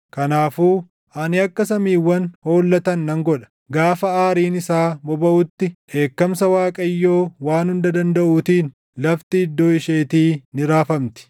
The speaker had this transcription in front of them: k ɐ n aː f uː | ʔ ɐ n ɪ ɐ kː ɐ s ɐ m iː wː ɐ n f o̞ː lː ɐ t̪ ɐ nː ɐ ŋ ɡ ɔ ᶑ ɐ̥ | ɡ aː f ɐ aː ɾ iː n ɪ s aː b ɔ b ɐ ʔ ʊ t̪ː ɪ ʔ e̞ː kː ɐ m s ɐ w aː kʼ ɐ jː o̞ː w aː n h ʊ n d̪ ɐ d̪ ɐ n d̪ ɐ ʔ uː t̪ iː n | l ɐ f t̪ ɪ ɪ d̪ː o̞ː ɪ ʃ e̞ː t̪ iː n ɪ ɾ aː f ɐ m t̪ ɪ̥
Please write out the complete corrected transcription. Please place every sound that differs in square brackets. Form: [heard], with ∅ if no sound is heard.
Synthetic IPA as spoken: k ɐ n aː f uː | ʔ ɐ n ɪ ɐ kː ɐ s ɐ m iː wː ɐ n [h] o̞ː lː ɐ t̪ ɐ nː ɐ ŋ ɡ ɔ ᶑ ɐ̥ | ɡ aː f ɐ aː ɾ iː n ɪ s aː b ɔ b ɐ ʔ ʊ t̪ː ɪ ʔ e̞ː kː ɐ m s ɐ w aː kʼ ɐ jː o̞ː w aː n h ʊ n d̪ ɐ d̪ ɐ n d̪ ɐ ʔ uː t̪ iː n | l ɐ f t̪ ɪ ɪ d̪ː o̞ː ɪ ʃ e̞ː t̪ iː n ɪ ɾ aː f ɐ m t̪ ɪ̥